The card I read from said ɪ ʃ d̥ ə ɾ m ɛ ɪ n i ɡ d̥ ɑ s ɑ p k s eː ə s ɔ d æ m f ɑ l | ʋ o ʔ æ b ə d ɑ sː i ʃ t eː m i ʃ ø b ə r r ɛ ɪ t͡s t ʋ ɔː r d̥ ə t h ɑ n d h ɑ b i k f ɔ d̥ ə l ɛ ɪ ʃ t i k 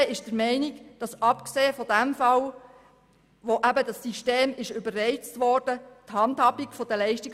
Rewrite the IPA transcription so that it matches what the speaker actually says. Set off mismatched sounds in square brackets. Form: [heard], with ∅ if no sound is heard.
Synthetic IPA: ɪ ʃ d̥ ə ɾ m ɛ ɪ n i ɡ d̥ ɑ s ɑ p k s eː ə [f] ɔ d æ m f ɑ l | ʋ o ʔ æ b ə d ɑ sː i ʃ t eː m [ɪ] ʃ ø b ə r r ɛ ɪ t͡s t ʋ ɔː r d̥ ə t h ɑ n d h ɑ b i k f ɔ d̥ ə l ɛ ɪ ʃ t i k